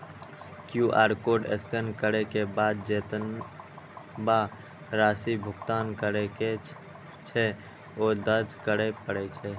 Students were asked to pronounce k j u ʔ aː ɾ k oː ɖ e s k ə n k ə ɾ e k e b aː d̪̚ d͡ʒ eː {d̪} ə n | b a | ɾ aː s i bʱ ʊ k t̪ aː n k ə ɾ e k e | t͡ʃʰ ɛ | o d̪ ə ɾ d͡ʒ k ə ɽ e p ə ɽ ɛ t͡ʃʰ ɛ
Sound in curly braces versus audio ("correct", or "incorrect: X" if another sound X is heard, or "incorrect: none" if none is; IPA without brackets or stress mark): incorrect: t̪